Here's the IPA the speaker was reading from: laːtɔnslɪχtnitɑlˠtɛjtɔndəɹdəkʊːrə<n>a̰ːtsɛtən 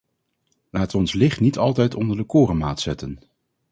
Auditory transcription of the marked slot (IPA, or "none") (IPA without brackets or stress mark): m